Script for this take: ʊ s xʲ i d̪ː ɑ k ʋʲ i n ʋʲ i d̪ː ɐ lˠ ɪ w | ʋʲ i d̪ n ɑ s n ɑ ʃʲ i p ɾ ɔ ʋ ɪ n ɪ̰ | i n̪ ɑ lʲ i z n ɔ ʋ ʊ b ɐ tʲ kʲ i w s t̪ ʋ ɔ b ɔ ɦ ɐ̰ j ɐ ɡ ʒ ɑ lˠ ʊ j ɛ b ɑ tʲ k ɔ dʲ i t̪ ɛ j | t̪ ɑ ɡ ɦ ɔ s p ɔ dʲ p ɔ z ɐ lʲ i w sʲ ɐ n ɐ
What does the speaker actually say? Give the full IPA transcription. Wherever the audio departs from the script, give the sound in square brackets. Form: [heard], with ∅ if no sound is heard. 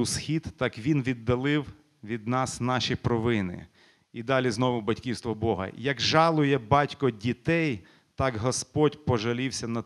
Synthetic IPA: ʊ s xʲ i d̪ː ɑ k ʋʲ i n ʋʲ i d̪ː ɐ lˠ ɪ w | ʋʲ i d̪ n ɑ s n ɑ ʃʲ i p ɾ ɔ ʋ ɪ n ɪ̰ | i [d̪] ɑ lʲ i z n ɔ ʋ ʊ b ɐ tʲ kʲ i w s t̪ ʋ ɔ b ɔ ɦ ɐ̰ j ɐ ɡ ʒ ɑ lˠ ʊ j ɛ b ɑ tʲ k ɔ dʲ i t̪ ɛ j | t̪ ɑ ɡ ɦ ɔ s p ɔ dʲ p ɔ [ʒ] ɐ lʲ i w sʲ ɐ n ɐ